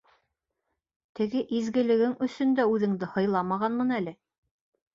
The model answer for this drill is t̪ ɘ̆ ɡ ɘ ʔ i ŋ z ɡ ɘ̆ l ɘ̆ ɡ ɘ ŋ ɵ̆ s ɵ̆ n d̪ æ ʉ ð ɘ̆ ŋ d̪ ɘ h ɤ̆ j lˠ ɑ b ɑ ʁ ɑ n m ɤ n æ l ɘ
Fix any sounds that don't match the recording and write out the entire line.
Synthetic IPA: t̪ ɘ̆ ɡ ɘ ʔ i z ɡ ɘ̆ l ɘ̆ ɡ ɘ ŋ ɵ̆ s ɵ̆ n d̪ æ ʉ ð ɘ̆ ŋ d̪ ɘ h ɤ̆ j lˠ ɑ m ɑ ʁ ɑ n m ɤ n æ l ɘ